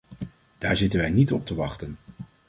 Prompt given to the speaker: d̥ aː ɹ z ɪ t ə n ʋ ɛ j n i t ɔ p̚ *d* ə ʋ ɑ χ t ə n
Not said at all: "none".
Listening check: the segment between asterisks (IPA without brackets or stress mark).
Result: t